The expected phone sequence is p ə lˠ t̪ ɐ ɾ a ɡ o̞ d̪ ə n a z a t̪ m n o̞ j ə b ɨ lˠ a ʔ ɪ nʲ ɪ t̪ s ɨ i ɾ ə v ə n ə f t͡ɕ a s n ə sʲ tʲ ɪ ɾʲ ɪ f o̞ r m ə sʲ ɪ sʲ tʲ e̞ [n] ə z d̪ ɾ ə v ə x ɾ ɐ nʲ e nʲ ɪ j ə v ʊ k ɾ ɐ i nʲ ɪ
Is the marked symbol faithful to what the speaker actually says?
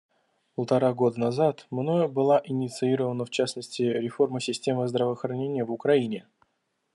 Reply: no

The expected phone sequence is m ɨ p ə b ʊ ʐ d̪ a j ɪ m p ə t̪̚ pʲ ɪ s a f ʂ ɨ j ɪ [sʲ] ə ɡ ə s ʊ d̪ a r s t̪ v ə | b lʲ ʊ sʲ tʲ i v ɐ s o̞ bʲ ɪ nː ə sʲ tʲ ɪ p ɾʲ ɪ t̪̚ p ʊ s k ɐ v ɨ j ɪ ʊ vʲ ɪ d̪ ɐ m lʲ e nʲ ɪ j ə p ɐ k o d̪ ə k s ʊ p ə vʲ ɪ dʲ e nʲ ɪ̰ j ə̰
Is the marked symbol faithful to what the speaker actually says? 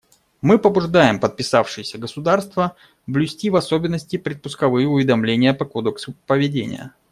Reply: yes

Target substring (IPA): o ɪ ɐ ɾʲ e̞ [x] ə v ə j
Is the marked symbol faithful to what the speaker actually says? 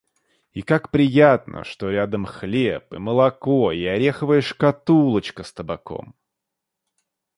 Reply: yes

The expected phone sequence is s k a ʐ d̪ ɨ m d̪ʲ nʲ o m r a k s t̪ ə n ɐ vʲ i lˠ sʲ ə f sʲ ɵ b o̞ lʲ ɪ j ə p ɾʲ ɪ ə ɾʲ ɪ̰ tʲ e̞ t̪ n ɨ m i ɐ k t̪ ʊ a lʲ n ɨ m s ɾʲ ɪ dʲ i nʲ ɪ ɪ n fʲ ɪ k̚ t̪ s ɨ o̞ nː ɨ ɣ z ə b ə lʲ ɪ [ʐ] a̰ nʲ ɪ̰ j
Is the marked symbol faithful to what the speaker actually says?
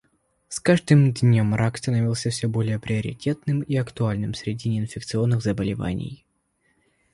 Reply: no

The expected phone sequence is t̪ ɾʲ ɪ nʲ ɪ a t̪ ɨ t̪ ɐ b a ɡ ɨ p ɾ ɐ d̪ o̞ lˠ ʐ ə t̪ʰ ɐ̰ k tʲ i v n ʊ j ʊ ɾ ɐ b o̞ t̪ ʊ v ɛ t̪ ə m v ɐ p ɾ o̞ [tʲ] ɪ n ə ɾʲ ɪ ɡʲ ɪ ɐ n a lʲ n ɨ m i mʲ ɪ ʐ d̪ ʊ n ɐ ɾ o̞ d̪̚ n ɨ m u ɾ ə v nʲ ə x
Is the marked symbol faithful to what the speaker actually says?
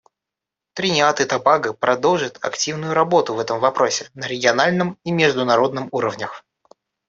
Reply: no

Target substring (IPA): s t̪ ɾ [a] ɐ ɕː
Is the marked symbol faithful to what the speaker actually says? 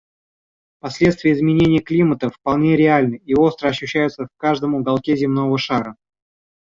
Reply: no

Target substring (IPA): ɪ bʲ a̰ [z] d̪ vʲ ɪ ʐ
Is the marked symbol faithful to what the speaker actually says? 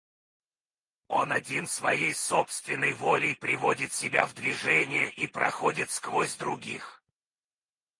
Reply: no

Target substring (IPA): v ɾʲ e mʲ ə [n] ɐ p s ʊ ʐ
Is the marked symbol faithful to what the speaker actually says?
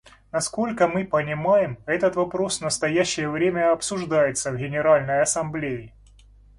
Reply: no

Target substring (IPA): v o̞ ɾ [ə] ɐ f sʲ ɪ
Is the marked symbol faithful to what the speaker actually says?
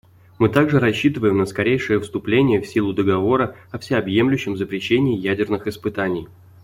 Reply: yes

